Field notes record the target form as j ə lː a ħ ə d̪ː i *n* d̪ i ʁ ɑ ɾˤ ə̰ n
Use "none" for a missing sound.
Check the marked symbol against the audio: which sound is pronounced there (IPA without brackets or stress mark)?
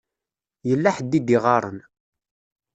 none